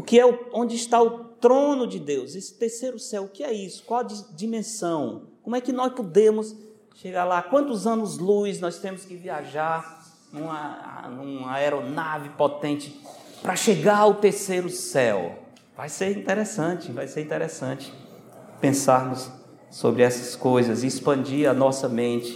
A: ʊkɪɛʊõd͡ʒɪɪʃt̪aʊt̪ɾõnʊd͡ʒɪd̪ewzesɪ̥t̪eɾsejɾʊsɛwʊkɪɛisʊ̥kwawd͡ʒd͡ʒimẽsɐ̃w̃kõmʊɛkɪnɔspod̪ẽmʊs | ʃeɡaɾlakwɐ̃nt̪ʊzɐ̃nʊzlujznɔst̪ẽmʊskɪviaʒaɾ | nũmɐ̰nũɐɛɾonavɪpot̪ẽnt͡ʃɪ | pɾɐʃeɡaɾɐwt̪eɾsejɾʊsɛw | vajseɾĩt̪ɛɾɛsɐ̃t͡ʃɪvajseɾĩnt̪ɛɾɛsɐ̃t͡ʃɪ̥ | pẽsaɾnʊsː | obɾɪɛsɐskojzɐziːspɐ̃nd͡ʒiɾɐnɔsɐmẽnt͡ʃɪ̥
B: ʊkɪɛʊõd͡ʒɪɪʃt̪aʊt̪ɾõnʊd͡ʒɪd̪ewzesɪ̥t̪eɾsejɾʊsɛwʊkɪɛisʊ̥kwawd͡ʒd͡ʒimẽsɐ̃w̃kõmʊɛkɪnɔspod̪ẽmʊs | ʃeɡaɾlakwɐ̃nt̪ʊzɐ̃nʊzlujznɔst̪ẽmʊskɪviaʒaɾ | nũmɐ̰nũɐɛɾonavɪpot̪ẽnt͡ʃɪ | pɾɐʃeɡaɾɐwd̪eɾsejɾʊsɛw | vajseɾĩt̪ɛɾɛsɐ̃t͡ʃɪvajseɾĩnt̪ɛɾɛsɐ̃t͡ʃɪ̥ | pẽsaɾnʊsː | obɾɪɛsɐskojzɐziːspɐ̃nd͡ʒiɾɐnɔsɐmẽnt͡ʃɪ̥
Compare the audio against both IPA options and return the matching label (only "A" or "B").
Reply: A